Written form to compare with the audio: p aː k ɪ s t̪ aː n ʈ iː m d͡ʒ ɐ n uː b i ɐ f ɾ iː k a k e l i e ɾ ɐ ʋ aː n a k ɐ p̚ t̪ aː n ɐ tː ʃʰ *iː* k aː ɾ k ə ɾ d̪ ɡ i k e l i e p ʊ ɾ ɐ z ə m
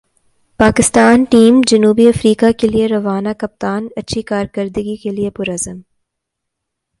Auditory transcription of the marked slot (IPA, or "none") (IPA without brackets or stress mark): i